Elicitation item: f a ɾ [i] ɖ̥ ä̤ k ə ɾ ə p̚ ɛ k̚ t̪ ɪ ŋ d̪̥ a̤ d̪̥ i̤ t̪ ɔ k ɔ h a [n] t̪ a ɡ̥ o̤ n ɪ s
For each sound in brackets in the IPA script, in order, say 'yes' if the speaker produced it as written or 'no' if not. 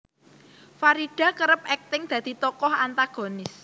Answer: yes, yes

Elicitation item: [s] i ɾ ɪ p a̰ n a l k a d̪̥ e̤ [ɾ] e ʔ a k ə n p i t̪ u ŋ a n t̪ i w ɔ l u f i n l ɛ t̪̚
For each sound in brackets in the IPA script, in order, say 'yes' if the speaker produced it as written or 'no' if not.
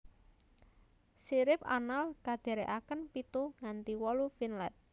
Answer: yes, yes

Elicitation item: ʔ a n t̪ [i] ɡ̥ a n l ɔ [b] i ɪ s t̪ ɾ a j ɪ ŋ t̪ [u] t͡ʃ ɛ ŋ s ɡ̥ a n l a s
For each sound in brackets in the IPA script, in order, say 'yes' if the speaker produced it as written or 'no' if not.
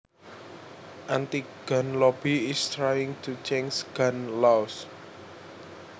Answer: yes, yes, yes

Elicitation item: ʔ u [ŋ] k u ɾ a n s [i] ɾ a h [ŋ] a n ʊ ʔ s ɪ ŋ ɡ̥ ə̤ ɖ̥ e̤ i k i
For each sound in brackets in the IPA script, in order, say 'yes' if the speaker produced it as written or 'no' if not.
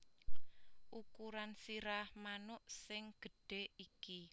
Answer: no, yes, no

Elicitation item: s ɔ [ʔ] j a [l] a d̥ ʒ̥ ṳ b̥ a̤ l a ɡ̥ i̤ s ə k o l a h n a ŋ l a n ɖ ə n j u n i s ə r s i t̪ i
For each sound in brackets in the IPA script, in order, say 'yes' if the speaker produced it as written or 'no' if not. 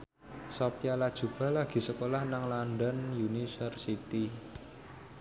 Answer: no, yes

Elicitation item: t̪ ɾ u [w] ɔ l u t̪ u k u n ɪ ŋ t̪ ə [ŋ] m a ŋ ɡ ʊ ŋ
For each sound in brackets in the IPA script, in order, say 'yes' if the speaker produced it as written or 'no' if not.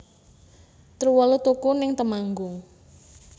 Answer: yes, no

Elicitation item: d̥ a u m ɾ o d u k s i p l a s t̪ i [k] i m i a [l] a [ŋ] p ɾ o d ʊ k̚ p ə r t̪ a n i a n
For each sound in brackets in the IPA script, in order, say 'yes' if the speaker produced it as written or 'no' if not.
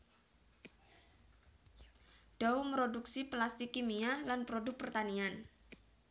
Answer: yes, yes, no

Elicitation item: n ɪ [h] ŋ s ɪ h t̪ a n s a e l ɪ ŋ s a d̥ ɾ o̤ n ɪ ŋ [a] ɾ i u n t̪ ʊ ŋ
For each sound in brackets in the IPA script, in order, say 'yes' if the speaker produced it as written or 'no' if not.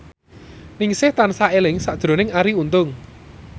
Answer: no, yes

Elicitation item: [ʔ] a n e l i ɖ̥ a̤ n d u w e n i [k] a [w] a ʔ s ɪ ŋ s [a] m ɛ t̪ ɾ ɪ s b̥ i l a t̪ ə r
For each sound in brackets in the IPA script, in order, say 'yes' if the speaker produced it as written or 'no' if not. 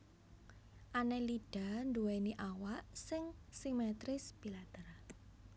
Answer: yes, no, yes, no

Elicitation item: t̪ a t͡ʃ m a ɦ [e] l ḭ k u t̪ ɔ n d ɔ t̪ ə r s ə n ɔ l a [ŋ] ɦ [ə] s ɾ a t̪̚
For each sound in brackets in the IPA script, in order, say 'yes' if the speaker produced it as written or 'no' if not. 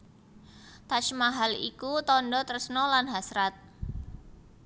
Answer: no, no, no

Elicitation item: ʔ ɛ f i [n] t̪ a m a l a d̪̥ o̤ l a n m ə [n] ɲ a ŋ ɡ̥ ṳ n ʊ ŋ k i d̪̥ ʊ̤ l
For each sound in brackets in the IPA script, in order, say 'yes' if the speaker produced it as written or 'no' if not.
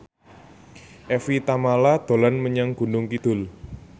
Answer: no, no

